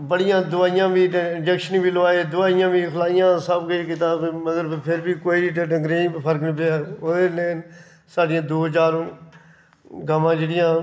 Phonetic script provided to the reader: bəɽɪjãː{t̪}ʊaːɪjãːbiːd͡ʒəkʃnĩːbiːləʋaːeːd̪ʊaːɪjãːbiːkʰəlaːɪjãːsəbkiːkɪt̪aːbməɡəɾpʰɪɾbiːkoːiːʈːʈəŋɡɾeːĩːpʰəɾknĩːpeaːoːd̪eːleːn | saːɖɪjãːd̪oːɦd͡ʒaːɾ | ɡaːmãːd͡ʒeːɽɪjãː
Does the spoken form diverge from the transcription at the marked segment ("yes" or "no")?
yes